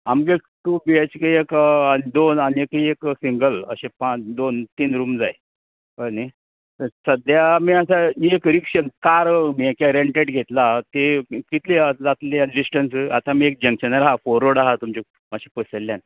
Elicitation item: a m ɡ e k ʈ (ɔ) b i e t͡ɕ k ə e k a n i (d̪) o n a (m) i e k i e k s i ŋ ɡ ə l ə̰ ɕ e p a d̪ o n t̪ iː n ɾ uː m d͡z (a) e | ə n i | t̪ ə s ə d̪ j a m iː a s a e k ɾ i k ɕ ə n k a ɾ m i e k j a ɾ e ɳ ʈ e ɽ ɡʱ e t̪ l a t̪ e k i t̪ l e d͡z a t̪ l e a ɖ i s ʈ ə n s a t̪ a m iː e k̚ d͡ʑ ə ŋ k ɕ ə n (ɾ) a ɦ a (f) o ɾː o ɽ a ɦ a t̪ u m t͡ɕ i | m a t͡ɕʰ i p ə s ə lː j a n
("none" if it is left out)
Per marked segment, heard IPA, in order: u, d̪, n, a, ɾ, f

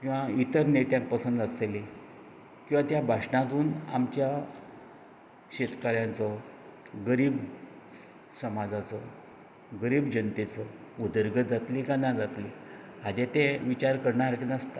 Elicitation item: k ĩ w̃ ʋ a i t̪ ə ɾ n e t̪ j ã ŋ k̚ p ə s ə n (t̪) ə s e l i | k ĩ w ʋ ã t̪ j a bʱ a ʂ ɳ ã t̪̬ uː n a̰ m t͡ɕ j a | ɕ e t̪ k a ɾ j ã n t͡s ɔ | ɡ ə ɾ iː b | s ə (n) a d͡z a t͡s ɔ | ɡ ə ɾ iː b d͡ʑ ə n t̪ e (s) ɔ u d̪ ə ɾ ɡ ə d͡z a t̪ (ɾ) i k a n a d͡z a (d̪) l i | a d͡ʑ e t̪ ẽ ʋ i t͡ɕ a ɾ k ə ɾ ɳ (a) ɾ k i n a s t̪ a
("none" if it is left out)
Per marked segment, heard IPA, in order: d̪, m, t͡s, l, t̪, a

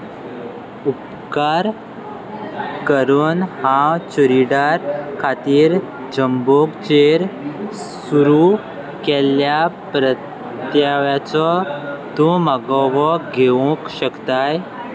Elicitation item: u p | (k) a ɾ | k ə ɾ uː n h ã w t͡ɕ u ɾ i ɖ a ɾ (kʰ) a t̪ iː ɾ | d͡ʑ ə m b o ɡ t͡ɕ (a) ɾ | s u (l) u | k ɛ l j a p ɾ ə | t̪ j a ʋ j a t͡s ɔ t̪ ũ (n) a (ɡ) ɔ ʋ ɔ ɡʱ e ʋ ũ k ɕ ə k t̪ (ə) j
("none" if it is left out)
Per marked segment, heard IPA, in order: k, kʰ, e, ɾ, m, ɡ, a

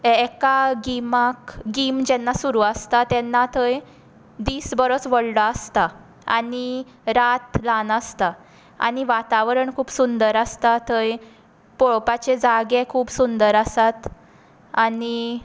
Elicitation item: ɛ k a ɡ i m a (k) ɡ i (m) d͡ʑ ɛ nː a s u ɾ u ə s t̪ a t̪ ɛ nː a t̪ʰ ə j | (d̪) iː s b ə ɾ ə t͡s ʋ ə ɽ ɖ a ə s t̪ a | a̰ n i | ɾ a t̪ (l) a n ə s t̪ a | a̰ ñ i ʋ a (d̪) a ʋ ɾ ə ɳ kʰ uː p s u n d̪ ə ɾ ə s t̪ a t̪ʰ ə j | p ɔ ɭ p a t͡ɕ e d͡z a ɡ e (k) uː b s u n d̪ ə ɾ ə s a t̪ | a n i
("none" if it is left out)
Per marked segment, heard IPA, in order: k, m, d̪, l, t̪, kʰ

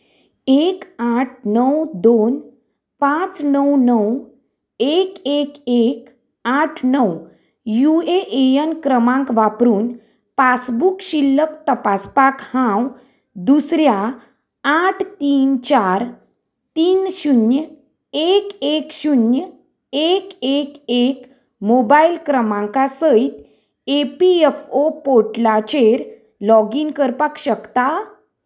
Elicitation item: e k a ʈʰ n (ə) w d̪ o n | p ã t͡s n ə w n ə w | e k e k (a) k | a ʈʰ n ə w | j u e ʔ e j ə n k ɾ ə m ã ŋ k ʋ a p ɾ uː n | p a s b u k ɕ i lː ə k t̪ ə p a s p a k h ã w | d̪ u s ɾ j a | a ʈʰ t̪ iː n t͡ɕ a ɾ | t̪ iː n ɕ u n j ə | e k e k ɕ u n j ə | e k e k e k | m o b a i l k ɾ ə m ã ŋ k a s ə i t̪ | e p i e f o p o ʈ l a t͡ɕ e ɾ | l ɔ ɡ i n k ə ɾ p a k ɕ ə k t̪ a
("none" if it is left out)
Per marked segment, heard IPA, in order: ə, e

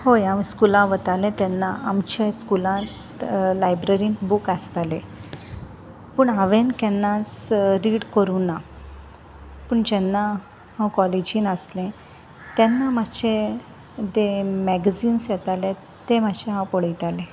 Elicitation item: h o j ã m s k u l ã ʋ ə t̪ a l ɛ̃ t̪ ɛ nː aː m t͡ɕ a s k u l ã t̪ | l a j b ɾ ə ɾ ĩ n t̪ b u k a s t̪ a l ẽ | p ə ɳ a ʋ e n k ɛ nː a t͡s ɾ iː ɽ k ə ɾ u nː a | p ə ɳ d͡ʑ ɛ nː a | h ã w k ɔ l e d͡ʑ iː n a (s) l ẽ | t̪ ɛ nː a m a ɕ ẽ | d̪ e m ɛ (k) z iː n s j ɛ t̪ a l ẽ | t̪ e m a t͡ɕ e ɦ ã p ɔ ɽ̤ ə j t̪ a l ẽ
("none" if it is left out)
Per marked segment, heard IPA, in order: s, ɡ

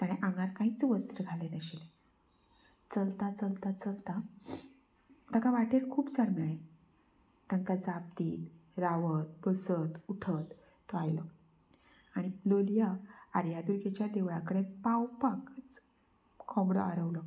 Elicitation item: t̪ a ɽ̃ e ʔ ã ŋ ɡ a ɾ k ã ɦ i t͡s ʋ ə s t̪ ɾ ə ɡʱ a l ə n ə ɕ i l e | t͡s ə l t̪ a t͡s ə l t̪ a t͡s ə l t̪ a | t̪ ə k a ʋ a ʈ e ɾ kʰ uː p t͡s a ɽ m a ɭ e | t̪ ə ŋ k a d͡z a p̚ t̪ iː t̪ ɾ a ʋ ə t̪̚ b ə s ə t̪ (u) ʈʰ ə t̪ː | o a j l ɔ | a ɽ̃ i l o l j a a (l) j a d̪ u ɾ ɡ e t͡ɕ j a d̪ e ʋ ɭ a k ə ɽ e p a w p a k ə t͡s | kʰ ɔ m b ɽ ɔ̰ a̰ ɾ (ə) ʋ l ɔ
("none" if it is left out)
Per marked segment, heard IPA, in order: u, ɾ, ə

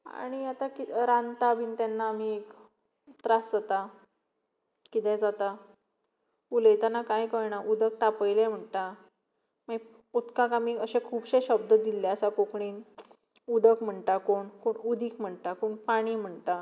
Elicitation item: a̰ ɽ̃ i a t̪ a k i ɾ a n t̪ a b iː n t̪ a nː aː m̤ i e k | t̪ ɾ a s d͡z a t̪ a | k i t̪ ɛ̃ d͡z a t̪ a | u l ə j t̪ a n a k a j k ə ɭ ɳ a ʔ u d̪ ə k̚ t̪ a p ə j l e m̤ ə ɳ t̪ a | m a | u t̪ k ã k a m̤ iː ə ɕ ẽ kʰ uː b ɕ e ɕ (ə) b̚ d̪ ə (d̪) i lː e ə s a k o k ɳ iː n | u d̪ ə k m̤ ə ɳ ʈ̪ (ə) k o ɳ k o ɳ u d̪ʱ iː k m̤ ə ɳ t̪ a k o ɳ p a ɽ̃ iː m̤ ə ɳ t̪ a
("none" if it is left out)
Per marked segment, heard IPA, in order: ə, d̪, a

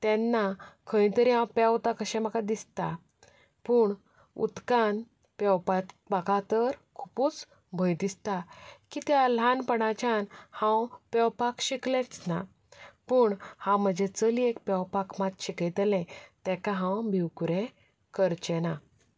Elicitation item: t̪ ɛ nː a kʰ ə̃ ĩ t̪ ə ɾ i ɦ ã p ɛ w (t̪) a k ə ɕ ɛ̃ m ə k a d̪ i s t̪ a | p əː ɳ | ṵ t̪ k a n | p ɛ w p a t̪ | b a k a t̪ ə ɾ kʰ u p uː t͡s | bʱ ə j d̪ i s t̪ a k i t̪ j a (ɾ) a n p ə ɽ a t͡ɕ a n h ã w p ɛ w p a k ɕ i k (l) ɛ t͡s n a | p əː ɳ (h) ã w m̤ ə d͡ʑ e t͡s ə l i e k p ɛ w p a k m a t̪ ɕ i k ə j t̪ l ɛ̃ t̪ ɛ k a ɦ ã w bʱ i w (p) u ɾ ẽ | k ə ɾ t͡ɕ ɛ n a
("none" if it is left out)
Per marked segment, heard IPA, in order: t̪, l, l, h, k

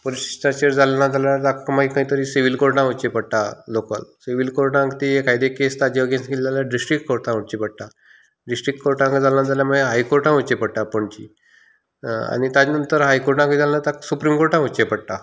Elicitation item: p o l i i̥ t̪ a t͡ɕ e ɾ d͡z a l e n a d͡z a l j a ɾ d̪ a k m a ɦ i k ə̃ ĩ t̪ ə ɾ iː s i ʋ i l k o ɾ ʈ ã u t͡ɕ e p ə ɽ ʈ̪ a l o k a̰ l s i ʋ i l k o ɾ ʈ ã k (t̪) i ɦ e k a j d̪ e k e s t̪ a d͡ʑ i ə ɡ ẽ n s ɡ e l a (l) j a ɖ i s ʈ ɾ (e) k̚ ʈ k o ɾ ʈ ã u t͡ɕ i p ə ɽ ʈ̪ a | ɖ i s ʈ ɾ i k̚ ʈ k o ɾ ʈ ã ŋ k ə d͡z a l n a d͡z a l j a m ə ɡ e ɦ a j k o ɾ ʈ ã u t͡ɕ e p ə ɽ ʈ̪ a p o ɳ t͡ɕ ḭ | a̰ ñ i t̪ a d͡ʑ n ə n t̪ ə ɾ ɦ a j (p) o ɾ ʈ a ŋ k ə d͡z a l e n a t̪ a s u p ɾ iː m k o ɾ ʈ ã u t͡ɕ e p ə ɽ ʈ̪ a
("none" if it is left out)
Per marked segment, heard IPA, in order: t̪, l, i, k

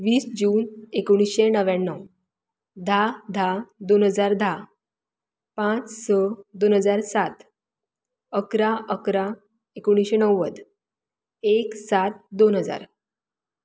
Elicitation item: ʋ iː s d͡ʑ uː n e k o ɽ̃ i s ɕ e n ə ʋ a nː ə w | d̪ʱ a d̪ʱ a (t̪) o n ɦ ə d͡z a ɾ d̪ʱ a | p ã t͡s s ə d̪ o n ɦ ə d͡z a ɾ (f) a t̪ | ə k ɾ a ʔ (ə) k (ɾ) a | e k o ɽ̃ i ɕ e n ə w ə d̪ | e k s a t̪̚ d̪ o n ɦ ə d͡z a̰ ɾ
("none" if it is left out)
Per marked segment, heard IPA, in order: d̪, s, ə, ɾ

